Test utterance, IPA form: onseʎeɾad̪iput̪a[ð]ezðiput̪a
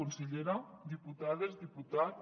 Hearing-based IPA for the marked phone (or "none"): ð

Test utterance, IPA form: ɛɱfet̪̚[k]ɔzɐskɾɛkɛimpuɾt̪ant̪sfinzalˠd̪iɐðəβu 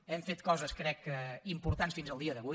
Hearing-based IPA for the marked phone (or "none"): k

